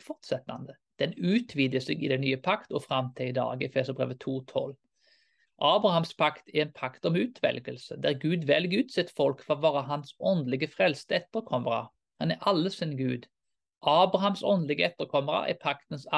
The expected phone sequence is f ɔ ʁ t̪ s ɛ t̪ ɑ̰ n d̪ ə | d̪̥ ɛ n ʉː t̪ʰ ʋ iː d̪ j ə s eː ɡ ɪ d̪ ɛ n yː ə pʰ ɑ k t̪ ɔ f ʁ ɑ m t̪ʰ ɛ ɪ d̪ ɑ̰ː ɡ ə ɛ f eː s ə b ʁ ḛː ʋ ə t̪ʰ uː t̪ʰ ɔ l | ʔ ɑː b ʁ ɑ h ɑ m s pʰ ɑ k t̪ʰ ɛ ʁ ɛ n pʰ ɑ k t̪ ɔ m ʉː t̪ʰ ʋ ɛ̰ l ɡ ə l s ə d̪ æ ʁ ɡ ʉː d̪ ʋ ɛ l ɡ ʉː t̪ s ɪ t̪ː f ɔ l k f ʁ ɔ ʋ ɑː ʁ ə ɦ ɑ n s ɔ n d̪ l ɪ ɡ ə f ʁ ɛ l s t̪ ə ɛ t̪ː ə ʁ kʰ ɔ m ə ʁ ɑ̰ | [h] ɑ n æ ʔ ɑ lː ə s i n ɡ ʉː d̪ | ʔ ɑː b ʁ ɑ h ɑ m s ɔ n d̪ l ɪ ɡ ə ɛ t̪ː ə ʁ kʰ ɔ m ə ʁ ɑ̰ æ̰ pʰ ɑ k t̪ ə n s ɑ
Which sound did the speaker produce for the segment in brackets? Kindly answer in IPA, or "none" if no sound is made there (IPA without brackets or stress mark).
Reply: h